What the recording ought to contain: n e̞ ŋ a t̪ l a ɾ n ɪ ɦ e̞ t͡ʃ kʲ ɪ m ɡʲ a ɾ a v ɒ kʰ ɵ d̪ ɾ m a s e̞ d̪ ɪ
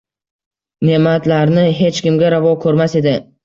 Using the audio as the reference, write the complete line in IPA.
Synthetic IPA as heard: n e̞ m a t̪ l a ɾ n ɪ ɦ e̞ t͡ʃ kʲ ɪ m ɡʲ a ɾ a v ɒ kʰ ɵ ɾ m a s e̞ d̪ ɪ